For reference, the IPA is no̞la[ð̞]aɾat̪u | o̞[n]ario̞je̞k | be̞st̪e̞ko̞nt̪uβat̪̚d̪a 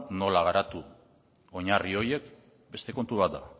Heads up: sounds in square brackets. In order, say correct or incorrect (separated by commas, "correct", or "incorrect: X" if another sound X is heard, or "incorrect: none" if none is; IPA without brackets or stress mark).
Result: incorrect: ɣ̞, incorrect: ɲ